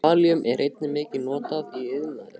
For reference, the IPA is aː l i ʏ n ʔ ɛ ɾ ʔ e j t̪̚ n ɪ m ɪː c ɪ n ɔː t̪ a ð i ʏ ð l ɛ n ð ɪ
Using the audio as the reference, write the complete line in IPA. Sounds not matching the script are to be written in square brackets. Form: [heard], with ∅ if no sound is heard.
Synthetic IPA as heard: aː l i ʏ [m] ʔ ɛ ɾ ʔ e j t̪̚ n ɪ m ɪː c ɪ n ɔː t̪ a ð i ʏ ð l [a] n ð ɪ